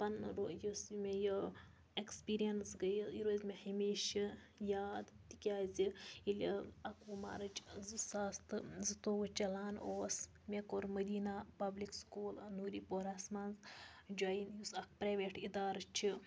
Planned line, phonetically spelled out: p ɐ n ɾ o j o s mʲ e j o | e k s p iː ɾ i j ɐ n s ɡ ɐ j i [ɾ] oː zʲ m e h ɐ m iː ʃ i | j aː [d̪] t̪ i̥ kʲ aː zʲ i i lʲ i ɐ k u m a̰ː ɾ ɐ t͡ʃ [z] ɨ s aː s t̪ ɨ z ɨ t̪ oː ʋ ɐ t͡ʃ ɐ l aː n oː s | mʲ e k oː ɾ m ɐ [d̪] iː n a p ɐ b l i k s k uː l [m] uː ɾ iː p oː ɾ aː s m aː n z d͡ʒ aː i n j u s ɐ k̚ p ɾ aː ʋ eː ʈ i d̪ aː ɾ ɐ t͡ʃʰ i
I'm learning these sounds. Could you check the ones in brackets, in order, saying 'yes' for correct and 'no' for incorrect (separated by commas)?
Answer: yes, yes, yes, yes, no